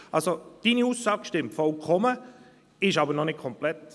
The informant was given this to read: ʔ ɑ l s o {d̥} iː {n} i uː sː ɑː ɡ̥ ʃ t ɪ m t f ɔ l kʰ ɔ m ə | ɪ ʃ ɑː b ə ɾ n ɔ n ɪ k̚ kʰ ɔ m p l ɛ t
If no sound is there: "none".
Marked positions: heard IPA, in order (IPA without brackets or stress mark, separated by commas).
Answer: d̥, n